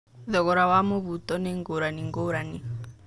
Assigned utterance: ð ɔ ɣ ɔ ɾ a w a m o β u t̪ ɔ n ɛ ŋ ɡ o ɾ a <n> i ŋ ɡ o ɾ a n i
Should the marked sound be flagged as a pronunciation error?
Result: no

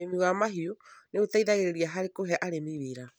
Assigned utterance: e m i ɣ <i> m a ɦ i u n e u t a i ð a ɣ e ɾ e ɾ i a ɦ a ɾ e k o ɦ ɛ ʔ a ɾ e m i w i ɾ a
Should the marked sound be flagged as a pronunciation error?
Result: yes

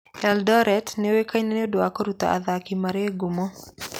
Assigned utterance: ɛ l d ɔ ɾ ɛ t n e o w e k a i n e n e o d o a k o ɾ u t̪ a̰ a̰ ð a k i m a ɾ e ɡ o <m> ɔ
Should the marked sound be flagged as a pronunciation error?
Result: no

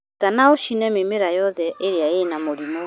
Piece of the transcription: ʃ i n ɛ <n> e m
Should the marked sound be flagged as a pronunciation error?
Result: yes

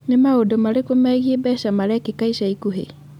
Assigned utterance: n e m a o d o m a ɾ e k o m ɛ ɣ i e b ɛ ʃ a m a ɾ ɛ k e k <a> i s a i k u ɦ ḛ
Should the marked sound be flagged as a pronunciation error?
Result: no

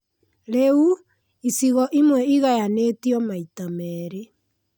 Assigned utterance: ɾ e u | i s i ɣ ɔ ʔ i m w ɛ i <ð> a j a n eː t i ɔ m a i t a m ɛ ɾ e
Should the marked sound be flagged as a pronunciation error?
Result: yes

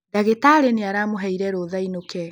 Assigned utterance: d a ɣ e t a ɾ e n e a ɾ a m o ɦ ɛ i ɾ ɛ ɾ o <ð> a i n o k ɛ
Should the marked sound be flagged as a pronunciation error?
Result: no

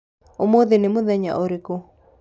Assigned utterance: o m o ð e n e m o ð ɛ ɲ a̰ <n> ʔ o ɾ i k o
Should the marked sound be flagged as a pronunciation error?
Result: yes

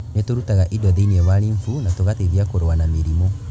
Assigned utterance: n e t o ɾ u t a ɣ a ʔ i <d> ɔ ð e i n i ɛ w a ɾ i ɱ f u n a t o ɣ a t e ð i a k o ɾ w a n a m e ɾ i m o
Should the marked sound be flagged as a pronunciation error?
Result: no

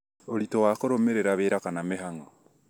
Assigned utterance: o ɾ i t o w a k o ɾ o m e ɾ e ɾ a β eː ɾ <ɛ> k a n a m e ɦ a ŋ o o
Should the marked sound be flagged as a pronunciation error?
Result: yes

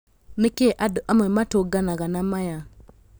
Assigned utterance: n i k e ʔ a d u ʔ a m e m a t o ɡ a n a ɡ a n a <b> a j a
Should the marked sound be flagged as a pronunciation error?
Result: yes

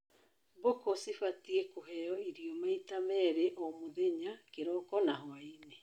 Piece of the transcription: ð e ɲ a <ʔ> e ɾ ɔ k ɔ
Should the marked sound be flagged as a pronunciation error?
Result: yes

